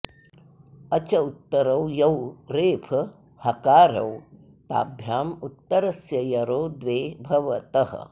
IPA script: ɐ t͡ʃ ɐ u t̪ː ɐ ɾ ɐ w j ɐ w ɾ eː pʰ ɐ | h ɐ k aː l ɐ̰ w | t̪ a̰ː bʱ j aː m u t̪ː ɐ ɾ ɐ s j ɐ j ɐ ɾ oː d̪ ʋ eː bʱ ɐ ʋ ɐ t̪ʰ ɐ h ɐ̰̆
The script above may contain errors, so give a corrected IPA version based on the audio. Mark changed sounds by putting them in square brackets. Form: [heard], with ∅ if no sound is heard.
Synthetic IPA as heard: ɐ t͡ʃ ɐ u t̪ː ɐ ɾ ɐ w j ɐ w ɾ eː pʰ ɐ | h ɐ k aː [ɾ] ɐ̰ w | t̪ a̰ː bʱ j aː m u t̪ː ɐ ɾ ɐ s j ɐ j ɐ ɾ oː d̪ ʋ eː bʱ ɐ ʋ ɐ [t̪] ɐ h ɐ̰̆

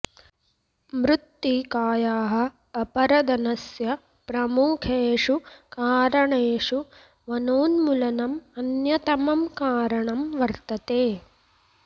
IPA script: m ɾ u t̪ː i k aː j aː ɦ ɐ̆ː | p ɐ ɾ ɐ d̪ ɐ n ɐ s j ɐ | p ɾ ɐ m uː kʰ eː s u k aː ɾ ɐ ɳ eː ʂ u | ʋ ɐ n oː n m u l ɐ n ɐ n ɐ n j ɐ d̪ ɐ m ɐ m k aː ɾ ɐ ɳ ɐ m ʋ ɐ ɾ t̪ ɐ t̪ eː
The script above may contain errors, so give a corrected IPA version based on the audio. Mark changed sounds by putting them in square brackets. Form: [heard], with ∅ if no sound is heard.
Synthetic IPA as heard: m ɾ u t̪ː i k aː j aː ɦ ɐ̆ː | p ɐ ɾ ɐ d̪ ɐ n ɐ s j ɐ | p ɾ ɐ m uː kʰ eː [ʂ] u k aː ɾ ɐ ɳ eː ʂ u | ʋ ɐ n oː n m u l ɐ n ɐ [m] ɐ n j ɐ [t̪] ɐ m ɐ m k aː ɾ ɐ ɳ ɐ m ʋ ɐ ɾ t̪ ɐ t̪ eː

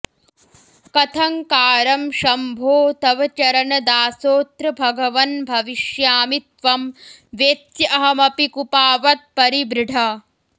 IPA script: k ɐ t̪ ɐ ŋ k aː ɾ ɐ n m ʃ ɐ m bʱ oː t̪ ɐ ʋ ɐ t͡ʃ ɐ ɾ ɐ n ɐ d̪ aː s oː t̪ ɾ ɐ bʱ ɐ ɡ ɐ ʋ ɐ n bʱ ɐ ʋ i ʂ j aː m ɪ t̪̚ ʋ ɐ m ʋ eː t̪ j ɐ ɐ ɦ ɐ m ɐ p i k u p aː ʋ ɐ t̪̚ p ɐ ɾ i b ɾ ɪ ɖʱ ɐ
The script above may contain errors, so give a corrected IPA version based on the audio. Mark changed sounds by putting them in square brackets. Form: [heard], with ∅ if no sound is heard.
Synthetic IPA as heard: k ɐ [t̪ʰ] ɐ ŋ k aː ɾ ɐ [∅] m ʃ ɐ m bʱ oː t̪ ɐ ʋ ɐ t͡ʃ ɐ ɾ ɐ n ɐ d̪ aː s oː t̪ ɾ ɐ bʱ ɐ ɡ ɐ ʋ ɐ n bʱ ɐ ʋ i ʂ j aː m [i] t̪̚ ʋ ɐ m ʋ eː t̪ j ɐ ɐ ɦ ɐ m ɐ p i k u p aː ʋ ɐ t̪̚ p ɐ ɾ i b ɾ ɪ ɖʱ ɐ

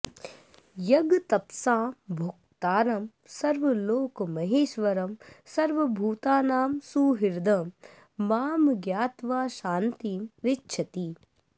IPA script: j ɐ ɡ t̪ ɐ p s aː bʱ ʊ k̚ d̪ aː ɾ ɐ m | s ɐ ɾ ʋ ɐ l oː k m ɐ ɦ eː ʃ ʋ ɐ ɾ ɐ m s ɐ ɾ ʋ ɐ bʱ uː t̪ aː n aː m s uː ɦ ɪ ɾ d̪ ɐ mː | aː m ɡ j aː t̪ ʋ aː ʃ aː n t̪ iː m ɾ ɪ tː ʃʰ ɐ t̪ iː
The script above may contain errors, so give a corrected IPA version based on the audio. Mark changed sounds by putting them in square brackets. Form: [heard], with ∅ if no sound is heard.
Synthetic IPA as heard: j ɐ ɡ t̪ ɐ p s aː bʱ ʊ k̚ [t̪] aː ɾ ɐ m | s ɐ ɾ ʋ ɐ l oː k m ɐ ɦ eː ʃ ʋ ɐ ɾ ɐ m s ɐ ɾ ʋ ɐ bʱ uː t̪ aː n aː m s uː ɦ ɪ ɾ d̪ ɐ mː | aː m ɡ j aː t̪ ʋ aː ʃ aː n t̪ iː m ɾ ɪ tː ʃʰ ɐ t̪ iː

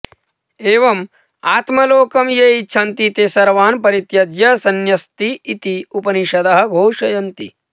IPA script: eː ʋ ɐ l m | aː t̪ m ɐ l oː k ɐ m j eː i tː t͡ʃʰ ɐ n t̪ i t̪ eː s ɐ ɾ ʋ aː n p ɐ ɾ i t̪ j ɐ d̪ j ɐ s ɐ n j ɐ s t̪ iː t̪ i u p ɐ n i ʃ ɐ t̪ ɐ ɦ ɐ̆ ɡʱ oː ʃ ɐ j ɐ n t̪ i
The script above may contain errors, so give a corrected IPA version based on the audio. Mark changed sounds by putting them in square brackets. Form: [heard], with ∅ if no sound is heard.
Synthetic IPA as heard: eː ʋ ɐ [∅] m | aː t̪ m ɐ l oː k ɐ m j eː i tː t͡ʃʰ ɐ n t̪ i t̪ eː s ɐ ɾ ʋ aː n p ɐ ɾ i t̪ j ɐ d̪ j ɐ s ɐ n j ɐ s t̪ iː t̪ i u p ɐ n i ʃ ɐ [d̪] ɐ ɦ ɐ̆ ɡʱ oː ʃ ɐ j ɐ n t̪ i

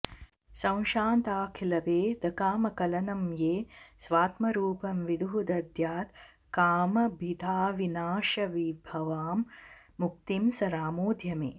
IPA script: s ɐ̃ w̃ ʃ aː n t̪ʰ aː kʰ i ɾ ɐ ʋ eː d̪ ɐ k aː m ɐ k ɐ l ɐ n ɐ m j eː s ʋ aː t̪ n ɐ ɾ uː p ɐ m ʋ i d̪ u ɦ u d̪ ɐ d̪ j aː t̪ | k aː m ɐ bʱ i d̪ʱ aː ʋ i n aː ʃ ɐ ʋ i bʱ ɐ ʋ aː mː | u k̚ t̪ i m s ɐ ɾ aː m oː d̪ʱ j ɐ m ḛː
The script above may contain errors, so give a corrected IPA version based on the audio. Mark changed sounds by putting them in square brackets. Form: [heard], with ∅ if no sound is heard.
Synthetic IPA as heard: s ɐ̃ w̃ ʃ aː n [t̪] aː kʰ i [l] ɐ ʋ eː d̪ ɐ k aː m ɐ k ɐ l ɐ n ɐ m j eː s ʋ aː t̪ [m] ɐ ɾ uː p ɐ m ʋ i d̪ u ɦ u d̪ ɐ d̪ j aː t̪ | k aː m ɐ bʱ i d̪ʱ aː ʋ i n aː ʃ ɐ ʋ i bʱ ɐ ʋ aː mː | u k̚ t̪ i m s ɐ ɾ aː m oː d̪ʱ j ɐ m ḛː

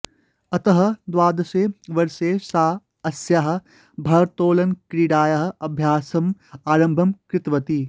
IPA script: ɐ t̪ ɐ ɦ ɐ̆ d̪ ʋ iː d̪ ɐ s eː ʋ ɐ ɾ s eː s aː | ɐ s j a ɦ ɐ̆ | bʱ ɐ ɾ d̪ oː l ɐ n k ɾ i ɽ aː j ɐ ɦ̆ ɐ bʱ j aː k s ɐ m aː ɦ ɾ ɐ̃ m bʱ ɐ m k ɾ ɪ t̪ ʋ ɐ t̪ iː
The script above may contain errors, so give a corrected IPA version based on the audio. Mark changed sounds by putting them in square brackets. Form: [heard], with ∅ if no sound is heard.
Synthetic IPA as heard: ɐ t̪ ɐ ɦ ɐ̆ d̪ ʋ [aː] d̪ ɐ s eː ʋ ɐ ɾ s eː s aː | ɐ s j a ɦ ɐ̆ | bʱ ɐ ɾ [t̪] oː l ɐ n k ɾ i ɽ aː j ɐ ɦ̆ ɐ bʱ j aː [∅] s ɐ m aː [∅] ɾ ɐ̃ m bʱ ɐ m k ɾ ɪ t̪ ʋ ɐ t̪ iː

